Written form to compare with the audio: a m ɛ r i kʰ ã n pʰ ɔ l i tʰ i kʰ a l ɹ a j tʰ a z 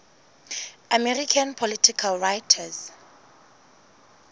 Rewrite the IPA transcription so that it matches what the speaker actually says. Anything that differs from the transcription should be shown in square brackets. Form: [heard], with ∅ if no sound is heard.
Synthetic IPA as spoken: a m ɛ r i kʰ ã n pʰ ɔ l i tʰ i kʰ a l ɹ a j tʰ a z